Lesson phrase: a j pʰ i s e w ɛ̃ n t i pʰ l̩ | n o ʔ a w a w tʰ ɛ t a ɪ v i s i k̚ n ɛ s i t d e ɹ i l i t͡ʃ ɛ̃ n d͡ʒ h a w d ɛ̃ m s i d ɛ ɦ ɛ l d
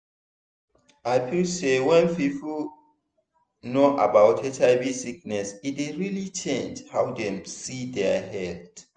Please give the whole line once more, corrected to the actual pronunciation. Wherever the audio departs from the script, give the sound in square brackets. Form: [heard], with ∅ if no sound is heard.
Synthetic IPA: a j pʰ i s e w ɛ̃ n [p] i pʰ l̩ | n o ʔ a [b] a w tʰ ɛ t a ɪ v i s i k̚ n ɛ s i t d e ɹ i l i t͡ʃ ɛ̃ n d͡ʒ h a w d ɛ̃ m s i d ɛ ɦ ɛ l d